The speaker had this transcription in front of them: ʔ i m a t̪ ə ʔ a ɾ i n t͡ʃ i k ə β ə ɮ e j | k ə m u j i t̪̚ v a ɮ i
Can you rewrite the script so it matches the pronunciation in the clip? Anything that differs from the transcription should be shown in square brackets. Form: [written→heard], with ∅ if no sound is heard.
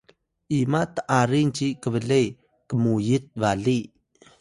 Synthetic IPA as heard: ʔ i m a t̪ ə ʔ a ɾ i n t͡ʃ i k ə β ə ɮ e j | k ə m u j i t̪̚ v a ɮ i